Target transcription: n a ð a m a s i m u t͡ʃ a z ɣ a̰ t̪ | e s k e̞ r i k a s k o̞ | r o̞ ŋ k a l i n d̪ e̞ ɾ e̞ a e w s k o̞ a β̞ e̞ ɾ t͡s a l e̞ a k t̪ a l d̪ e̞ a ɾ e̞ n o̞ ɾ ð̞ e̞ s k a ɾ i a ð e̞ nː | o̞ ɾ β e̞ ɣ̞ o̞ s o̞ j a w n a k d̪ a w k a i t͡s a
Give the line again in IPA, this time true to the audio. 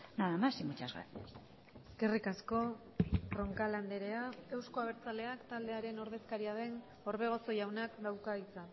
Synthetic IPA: n a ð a m a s i m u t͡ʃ a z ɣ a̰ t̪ | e s k e̞ r i k a s k o̞ | r o̞ ŋ k a l a n d̪ e̞ ɾ e̞ a e w s k o̞ a β̞ e̞ ɾ t͡s a l e̞ a k t̪ a l d̪ e̞ a ɾ e̞ n o̞ ɾ ð̞ e̞ s k a ɾ i a ð e̞ n | o̞ ɾ β e̞ ɣ̞ o̞ s o̞ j a w n a k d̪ a w k a i t͡s a